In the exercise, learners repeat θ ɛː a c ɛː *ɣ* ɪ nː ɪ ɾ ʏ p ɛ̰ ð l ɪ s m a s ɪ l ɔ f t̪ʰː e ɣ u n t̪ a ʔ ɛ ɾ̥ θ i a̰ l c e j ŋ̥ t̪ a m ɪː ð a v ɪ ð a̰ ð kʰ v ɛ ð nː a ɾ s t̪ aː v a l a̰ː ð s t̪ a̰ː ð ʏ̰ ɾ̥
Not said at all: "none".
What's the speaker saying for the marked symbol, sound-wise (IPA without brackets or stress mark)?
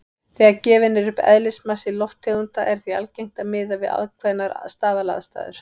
v